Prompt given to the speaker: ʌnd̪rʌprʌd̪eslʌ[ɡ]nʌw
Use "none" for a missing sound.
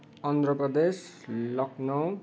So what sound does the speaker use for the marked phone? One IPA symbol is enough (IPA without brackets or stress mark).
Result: k